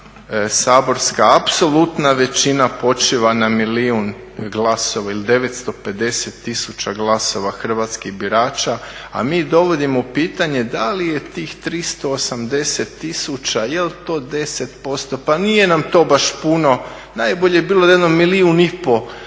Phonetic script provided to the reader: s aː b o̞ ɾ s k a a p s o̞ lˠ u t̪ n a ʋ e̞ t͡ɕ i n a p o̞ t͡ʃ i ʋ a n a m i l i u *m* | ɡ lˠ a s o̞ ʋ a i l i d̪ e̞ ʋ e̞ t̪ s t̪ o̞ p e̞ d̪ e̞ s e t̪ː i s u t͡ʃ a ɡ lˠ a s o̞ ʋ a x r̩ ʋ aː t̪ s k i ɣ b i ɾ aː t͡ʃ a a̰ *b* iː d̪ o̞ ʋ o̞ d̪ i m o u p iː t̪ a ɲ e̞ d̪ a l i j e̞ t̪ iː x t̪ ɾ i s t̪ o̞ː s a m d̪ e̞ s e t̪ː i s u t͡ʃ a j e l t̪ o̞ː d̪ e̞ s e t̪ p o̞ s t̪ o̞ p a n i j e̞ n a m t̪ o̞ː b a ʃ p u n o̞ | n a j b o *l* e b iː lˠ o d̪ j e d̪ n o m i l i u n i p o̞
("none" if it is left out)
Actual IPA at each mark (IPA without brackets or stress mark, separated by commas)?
n, m, ʎ